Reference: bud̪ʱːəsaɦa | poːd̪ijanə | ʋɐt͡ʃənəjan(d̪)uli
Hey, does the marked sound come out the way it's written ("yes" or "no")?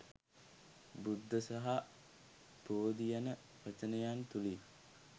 no